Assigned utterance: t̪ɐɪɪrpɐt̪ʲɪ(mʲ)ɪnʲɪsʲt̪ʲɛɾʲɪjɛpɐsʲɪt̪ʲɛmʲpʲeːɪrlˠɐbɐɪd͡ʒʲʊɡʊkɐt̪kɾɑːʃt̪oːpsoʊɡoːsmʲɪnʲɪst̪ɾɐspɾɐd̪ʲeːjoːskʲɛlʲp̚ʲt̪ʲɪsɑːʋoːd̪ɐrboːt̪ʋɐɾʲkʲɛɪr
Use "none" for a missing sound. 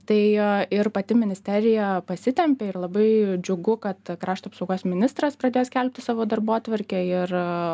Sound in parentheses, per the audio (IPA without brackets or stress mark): mʲ